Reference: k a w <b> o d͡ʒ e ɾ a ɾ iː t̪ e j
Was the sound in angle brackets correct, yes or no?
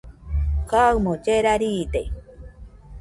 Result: no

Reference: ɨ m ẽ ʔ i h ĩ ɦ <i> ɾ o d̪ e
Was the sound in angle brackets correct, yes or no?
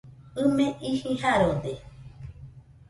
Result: no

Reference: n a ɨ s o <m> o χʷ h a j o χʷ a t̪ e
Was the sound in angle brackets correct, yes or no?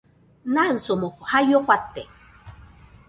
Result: yes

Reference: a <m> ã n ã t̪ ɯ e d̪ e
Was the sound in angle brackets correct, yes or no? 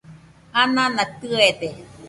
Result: no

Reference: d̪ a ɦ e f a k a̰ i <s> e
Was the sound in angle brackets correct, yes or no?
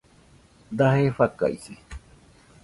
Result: yes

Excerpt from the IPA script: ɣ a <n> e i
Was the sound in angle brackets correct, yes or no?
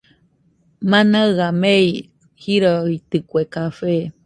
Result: no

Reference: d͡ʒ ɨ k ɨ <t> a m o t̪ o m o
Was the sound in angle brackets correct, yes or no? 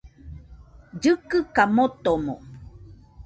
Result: no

